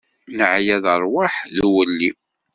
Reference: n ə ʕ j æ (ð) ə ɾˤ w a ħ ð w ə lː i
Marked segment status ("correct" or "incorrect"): correct